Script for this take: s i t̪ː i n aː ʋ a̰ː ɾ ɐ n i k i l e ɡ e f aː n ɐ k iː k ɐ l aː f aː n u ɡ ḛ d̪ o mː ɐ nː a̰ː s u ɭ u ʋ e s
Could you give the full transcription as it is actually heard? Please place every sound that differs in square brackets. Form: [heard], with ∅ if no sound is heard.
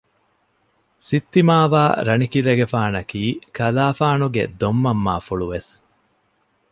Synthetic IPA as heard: s i t̪ː i [m] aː ʋ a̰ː ɾ ɐ n i k i l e ɡ e f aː n ɐ k iː k ɐ l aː f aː n u ɡ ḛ d̪ o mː ɐ [mː] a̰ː [f] u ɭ u ʋ e s